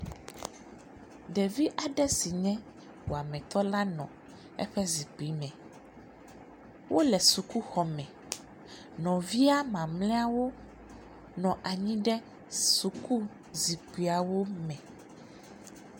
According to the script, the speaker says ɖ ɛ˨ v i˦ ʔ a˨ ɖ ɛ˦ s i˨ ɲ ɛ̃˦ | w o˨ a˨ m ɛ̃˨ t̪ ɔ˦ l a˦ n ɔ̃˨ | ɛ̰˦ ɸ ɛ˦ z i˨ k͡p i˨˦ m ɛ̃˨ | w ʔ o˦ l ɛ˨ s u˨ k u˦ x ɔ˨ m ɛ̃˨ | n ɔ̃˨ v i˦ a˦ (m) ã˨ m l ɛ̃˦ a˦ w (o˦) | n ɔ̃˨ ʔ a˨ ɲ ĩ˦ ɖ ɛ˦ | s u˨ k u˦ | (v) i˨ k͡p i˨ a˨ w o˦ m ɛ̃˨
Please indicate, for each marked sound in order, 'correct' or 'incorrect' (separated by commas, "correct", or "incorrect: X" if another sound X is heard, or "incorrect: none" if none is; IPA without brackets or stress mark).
correct, correct, incorrect: z